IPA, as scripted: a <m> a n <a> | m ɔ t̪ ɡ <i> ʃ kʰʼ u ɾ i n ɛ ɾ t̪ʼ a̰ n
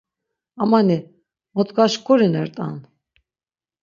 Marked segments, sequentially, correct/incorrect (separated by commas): correct, incorrect, incorrect